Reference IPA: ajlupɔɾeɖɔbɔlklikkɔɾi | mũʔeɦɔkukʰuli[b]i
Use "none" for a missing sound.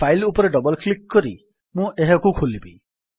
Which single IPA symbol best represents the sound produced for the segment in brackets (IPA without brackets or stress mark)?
b